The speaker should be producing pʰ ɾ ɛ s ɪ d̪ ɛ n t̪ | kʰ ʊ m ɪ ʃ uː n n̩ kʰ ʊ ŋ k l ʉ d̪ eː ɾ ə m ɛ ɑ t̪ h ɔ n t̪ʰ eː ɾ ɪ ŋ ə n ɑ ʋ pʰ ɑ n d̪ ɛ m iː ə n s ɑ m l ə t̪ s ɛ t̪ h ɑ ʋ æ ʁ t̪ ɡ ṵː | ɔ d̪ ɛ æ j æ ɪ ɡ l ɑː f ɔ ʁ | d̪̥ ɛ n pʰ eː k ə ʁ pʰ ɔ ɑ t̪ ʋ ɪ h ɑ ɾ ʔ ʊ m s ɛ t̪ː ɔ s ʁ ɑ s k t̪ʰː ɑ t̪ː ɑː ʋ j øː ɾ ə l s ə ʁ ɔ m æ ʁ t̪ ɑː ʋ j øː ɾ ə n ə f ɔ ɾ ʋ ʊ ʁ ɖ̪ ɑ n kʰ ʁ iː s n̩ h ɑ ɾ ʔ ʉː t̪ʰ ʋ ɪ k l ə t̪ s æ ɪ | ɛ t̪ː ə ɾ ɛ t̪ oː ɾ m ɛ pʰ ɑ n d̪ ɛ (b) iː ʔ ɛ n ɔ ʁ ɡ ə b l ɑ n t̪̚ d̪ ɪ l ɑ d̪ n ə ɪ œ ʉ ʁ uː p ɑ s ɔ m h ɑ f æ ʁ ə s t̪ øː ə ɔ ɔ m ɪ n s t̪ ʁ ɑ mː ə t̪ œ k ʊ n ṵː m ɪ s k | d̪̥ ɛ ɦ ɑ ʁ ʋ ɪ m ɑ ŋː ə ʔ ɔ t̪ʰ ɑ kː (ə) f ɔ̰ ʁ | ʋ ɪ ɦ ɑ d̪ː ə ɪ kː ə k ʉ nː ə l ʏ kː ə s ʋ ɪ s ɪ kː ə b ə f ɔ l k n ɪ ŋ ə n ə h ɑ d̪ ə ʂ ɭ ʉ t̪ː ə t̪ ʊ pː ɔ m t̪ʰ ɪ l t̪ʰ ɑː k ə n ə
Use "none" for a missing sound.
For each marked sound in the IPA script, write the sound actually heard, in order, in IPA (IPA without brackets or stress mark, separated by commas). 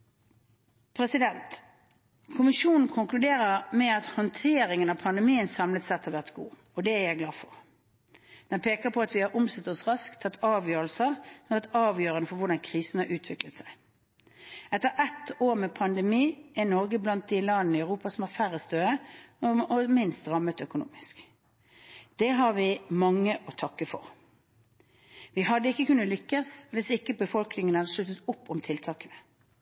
m, ə